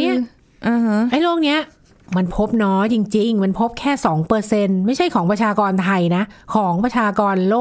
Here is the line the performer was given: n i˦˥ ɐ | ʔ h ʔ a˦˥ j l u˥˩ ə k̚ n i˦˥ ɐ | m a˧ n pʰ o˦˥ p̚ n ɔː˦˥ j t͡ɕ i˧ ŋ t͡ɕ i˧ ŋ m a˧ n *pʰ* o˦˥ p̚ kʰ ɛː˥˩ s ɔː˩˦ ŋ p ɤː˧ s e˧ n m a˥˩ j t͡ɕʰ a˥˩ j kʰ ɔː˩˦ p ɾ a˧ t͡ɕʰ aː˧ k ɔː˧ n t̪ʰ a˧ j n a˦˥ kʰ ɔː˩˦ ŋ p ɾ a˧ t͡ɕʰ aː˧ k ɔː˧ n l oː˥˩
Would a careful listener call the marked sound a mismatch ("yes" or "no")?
no